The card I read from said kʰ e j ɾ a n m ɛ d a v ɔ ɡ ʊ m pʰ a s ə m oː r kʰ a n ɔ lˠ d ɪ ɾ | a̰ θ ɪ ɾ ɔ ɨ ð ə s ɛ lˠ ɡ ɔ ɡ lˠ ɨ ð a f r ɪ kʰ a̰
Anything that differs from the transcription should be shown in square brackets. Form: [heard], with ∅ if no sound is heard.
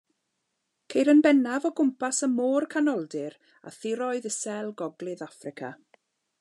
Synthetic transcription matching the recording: kʰ e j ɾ [ə] n [b] ɛ [n] a v ɔ ɡ ʊ m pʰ a s ə m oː r kʰ a n ɔ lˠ d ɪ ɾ | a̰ θ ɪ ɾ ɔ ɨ ð ə s ɛ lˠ ɡ ɔ ɡ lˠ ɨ ð a f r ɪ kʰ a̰